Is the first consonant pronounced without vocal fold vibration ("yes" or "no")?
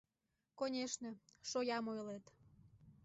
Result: yes